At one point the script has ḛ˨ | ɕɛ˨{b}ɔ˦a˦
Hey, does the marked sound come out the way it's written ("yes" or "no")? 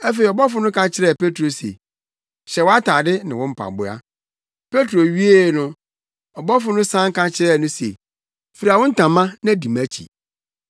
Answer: no